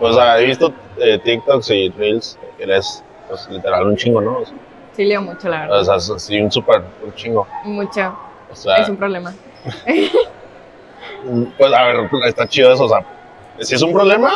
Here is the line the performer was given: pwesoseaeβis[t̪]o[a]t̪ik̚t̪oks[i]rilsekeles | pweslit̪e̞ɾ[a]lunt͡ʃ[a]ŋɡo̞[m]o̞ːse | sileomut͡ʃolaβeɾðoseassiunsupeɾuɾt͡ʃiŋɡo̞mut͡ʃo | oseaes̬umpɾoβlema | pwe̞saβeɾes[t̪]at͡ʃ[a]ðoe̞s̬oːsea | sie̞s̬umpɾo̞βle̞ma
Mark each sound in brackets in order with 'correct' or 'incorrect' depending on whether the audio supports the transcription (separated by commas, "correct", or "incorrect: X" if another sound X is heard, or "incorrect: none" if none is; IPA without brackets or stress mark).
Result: correct, incorrect: e, correct, correct, incorrect: i, incorrect: n, correct, incorrect: i